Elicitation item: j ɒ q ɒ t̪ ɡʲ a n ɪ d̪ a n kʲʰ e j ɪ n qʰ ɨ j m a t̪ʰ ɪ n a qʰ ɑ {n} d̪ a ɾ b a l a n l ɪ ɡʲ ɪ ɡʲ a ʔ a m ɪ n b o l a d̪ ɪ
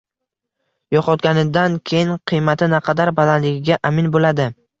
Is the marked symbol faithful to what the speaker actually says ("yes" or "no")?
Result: no